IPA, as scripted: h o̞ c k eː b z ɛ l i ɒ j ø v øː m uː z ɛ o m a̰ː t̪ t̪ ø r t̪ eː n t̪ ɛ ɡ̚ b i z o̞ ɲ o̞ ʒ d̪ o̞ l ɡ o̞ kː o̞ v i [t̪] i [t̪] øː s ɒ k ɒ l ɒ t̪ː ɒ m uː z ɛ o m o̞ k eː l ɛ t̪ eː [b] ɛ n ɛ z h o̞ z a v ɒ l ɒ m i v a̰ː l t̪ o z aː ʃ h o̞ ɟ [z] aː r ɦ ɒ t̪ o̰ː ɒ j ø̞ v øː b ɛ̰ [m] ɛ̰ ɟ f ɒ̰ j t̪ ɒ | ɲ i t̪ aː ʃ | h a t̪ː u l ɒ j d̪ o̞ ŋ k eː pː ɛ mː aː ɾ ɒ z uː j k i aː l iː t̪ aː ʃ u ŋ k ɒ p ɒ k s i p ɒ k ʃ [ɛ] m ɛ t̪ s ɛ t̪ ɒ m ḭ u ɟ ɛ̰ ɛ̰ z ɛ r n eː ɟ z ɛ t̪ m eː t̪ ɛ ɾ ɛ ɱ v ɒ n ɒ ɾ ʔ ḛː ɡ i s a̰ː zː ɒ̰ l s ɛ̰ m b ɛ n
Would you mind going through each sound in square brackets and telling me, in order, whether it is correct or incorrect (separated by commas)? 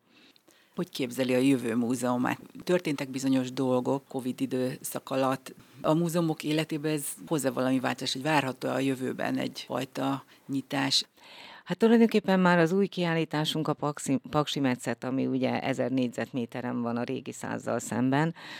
incorrect, incorrect, correct, incorrect, incorrect, incorrect